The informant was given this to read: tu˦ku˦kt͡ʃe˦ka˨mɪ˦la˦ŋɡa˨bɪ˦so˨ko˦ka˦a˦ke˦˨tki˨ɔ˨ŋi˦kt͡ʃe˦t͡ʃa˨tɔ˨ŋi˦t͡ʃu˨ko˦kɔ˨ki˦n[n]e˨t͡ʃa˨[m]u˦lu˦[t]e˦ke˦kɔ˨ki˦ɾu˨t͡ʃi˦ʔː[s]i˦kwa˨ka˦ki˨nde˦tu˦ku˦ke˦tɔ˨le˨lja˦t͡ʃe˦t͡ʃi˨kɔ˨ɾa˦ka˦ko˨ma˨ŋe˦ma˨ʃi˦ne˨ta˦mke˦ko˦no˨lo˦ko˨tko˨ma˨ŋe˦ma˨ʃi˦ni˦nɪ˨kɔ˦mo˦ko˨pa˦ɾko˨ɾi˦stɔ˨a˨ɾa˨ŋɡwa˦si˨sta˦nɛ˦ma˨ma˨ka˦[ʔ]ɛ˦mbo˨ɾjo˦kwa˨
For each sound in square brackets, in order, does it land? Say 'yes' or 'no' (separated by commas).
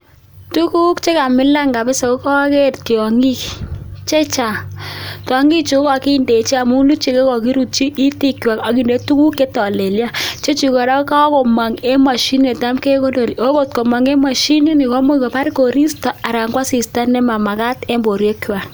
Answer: no, yes, no, no, no